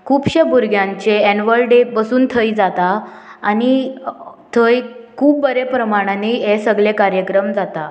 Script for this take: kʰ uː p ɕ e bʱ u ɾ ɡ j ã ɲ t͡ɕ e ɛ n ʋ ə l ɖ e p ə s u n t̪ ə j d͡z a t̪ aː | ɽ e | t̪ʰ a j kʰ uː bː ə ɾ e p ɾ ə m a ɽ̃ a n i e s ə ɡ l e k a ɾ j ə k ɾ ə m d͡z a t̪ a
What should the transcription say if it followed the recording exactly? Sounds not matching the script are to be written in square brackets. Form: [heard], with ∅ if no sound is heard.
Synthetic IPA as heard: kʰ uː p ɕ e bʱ u ɾ ɡ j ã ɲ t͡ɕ e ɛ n ʋ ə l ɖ e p ə s [uː] n [t̪ʰ] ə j d͡z a t̪ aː | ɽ [i] | t̪ʰ [ə] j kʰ uː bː ə ɾ e p ɾ ə m a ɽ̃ a n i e s ə ɡ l e k a ɾ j ə k ɾ ə m d͡z a t̪ a